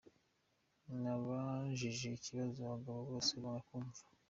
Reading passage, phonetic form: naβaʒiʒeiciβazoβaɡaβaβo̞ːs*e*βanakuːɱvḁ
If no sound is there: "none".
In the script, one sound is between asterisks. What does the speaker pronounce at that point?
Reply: e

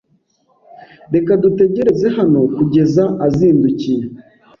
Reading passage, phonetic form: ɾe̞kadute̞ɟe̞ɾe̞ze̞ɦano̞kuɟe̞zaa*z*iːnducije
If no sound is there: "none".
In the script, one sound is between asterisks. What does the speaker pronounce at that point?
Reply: z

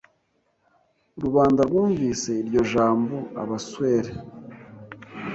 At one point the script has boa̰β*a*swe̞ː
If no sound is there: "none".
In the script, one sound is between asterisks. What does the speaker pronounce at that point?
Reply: a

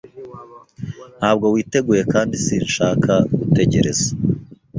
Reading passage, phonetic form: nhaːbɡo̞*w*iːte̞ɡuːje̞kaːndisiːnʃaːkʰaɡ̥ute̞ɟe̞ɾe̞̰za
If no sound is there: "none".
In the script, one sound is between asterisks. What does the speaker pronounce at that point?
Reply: w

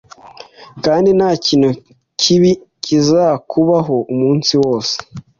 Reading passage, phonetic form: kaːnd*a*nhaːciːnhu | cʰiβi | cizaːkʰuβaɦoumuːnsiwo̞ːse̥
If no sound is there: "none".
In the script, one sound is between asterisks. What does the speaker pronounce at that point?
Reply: i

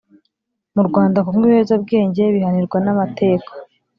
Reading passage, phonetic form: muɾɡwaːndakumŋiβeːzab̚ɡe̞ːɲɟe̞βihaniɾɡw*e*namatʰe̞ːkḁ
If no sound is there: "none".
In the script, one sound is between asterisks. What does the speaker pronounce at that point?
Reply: a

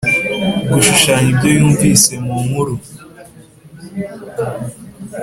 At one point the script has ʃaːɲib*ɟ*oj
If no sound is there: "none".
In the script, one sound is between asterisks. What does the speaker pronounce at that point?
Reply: ɟ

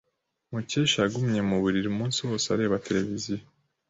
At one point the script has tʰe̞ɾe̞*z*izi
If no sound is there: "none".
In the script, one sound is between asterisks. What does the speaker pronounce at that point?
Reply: v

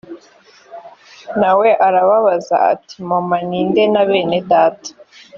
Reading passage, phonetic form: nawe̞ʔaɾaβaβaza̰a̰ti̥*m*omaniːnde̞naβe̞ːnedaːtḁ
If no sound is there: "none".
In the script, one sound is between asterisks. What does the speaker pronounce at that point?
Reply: m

